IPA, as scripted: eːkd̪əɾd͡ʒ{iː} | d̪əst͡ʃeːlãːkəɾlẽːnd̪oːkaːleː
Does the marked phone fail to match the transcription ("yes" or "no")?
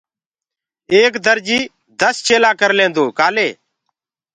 no